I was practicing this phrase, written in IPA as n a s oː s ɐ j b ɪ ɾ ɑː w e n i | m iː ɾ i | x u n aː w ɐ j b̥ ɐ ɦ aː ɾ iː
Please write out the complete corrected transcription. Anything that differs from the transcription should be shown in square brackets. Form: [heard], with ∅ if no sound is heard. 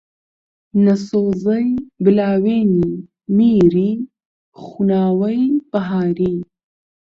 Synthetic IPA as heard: n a s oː [z] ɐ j b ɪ [l] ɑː w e n i | m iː ɾ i | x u n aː w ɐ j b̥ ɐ ɦ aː ɾ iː

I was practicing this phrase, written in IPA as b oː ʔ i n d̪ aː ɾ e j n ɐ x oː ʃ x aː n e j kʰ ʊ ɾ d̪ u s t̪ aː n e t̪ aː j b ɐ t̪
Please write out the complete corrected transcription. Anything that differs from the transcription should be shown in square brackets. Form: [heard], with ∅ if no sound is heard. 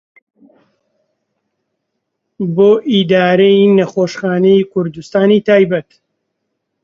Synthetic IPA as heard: b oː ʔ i [∅] d̪ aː ɾ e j n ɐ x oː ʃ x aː n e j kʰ ʊ ɾ d̪ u s t̪ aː n [i] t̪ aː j b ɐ t̪

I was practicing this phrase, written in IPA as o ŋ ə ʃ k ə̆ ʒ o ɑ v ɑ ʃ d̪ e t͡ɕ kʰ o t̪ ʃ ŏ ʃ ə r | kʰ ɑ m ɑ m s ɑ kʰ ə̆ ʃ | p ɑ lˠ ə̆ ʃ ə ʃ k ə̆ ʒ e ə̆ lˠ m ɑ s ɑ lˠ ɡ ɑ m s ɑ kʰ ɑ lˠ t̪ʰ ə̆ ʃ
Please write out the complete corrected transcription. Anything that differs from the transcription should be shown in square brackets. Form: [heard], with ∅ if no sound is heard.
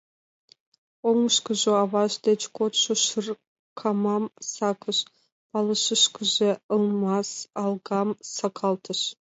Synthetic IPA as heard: o ŋ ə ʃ k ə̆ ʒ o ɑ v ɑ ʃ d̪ e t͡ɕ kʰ o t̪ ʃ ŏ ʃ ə r | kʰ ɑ m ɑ m s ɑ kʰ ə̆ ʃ | p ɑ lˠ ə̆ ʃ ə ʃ k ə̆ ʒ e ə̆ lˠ m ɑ s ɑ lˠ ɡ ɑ m s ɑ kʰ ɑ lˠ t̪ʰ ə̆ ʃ

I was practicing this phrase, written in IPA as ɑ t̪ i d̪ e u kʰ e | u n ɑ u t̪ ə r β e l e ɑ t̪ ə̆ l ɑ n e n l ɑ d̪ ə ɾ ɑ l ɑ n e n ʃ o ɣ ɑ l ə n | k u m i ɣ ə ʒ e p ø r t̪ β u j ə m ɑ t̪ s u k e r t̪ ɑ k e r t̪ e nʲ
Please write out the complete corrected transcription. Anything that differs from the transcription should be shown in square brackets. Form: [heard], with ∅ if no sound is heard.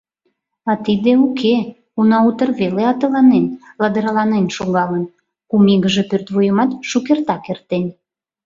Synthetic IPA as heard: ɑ t̪ i d̪ e u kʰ e | u n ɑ u t̪ ə r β e l e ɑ t̪ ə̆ l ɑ n e n l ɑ d̪ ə ɾ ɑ l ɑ n e n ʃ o ɣ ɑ l ə n | k u m i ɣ ə ʒ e p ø r t̪ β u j ə m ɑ t̪ [ʃ] u k e r t̪ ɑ k e r t̪ e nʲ

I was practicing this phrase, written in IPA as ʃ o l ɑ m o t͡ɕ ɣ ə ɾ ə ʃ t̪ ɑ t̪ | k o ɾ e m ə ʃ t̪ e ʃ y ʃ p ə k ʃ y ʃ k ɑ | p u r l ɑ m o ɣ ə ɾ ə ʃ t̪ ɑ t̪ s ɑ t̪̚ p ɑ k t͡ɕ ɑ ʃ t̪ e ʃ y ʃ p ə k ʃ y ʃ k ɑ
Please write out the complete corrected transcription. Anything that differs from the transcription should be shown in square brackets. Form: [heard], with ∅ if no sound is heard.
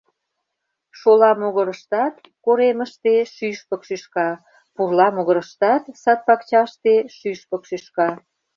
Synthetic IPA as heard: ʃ o l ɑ m o [∅] ɣ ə ɾ ə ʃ t̪ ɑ t̪ | k o ɾ e m ə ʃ t̪ e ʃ y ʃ p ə k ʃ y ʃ k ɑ | p u r l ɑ m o ɣ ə ɾ ə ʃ t̪ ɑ t̪ s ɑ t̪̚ p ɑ k t͡ɕ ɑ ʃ t̪ e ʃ y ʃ p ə k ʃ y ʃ k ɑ

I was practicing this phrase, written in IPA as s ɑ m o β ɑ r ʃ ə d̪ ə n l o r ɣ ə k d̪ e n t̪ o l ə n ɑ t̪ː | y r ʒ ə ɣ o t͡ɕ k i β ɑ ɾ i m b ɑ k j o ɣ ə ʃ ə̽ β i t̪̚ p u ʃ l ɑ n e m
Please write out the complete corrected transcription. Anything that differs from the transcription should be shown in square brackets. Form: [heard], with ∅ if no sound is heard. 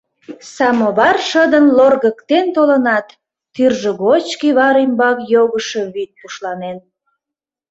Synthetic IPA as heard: s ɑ m o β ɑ r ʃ ə d̪ ə n l o r ɣ ə k [t̪] e n t̪ o l ə n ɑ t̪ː | y r ʒ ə ɣ o t͡ɕ k i β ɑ ɾ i m b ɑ k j o ɣ ə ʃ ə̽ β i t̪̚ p u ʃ l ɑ n e [n]

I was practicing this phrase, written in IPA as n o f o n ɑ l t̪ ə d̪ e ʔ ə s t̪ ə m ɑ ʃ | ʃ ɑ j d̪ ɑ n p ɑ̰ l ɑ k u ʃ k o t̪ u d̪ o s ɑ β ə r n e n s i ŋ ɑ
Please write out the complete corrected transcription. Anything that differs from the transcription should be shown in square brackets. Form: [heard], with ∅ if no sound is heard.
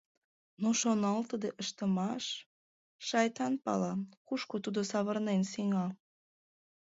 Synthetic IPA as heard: n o [ʃ] o n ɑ l t̪ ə d̪ e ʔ ə [ʃ] t̪ ə m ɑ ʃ | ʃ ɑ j [t̪] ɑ n p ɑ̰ l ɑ k u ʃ k o t̪ u d̪ o s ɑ β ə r n e n s i ŋ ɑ

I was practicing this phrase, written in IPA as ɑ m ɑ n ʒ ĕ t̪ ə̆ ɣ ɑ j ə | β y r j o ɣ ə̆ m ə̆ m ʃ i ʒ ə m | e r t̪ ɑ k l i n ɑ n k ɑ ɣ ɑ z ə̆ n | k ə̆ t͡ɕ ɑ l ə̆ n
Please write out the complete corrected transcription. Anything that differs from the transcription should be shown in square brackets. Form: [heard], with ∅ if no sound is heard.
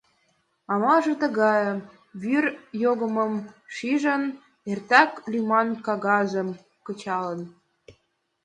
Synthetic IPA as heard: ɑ m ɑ [∅] ʒ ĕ t̪ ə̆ ɣ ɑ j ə | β y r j o ɣ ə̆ m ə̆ m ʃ i ʒ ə [n] | e r t̪ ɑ k l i [m] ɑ n k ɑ ɣ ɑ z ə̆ [m] | k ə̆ t͡ɕ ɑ l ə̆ n

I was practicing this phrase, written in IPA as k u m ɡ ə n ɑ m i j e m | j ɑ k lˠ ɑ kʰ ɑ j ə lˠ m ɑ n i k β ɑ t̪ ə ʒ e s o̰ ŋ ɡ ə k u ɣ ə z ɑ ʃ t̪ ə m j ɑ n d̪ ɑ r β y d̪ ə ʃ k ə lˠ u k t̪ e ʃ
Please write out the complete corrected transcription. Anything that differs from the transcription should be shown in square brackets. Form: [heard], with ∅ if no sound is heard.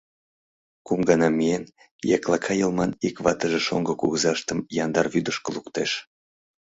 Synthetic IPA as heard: k u m ɡ [ɑ] n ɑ m i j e [n] | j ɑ k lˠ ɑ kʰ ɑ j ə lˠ m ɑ n i k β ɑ t̪ ə ʒ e [ʃ] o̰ ŋ ɡ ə k u ɣ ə z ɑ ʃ t̪ ə m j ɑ n d̪ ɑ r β y d̪ ə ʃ k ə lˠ u k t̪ e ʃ

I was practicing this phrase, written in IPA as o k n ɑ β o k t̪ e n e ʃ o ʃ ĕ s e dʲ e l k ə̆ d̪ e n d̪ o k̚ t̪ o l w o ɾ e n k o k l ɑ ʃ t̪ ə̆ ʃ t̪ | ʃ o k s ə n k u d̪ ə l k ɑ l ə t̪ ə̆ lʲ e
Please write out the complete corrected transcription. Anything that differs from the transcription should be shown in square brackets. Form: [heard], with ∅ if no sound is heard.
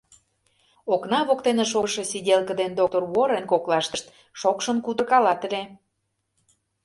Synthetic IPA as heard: o k n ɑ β o k t̪ e n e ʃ o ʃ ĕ s [i] dʲ e l k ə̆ d̪ e n d̪ o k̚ t̪ o [r] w o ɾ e n k o k l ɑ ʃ t̪ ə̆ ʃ t̪ | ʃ o k [ʃ] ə n k u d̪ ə [r] k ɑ l [ɑ] t̪ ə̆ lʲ e

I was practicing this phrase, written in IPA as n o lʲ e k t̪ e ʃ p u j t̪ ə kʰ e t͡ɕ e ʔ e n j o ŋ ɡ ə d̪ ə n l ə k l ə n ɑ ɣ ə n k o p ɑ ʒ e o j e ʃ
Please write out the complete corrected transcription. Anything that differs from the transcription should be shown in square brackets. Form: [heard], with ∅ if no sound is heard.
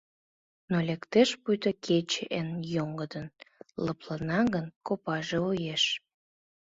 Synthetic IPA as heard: n o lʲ e k t̪ e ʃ p u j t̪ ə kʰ e t͡ɕ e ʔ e n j o ŋ ɡ ə d̪ ə n l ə [p] l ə n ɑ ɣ ə n k o p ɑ ʒ e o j e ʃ

